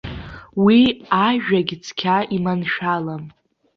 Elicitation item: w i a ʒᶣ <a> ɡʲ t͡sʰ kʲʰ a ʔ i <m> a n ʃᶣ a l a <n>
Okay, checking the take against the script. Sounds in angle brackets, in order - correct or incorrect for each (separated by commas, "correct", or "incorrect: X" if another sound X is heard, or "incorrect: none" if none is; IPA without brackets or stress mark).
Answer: correct, correct, incorrect: m